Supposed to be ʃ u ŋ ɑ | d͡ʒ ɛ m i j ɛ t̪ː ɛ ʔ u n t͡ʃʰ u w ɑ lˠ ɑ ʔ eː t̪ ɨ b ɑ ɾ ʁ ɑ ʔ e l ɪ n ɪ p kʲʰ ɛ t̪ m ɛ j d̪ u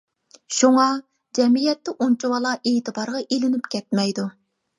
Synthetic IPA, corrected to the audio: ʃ u ŋ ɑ | d͡ʒ ɛ m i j ɛ t̪ː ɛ ʔ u n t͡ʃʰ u w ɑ lˠ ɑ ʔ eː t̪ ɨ b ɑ ɾ ʁ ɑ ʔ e l ɪ n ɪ p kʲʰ ɛ t̪ m ɛ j d̪ u